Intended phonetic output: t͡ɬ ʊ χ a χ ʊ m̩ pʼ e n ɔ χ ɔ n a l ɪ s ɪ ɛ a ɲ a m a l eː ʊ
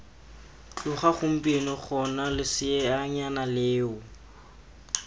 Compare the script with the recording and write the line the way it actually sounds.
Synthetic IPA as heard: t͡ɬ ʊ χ a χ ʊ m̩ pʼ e n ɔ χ ɔ n a l ɪ s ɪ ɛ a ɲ a n a l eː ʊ